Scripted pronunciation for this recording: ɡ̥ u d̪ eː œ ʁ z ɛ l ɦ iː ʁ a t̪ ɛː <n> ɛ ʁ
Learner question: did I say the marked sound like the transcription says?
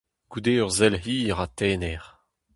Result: yes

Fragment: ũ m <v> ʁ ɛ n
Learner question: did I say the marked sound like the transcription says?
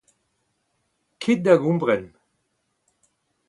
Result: no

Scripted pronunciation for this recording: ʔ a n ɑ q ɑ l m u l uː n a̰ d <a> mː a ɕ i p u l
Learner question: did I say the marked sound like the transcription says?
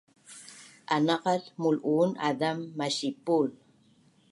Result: yes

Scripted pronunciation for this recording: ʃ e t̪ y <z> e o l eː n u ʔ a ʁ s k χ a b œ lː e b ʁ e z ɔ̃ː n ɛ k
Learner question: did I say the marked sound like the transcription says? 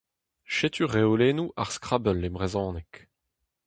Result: no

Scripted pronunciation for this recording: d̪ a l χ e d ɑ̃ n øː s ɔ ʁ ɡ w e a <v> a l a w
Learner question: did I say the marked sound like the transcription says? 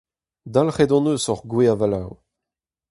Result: yes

